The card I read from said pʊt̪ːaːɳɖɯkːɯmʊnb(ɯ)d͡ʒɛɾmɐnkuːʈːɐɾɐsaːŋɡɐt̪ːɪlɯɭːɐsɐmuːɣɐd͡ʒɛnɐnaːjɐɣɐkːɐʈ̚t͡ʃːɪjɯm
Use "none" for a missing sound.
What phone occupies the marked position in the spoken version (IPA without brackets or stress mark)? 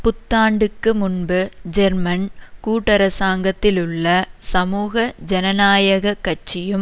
ɯ